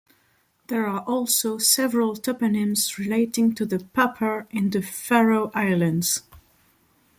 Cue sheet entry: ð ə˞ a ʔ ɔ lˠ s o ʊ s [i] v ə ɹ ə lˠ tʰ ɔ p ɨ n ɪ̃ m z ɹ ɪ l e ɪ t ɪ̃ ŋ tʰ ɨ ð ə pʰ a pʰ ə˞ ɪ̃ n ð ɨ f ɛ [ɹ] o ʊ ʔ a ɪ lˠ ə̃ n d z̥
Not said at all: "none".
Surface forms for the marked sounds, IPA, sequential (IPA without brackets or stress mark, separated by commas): ɛ, ɹ